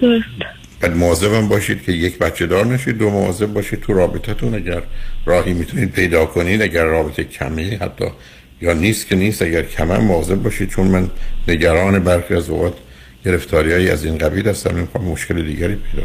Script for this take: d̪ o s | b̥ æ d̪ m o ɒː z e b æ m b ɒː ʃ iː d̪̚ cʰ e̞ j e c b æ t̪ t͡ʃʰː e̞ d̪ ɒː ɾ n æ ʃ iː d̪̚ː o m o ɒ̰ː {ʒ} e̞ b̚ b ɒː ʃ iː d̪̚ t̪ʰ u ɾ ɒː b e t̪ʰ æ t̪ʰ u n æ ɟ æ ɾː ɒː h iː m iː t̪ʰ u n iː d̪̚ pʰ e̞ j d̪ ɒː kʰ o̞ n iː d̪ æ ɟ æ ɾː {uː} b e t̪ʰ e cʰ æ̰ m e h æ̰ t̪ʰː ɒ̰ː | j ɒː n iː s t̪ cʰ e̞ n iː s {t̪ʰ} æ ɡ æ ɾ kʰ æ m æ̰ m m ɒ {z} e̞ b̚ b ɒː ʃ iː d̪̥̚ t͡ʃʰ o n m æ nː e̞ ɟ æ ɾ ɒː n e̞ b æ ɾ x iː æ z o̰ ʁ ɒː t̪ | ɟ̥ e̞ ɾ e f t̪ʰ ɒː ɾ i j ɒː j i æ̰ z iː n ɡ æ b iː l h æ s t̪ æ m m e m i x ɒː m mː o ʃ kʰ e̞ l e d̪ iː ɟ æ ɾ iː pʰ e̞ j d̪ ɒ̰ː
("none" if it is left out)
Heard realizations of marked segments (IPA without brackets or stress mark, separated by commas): z, ɒː, t̪, z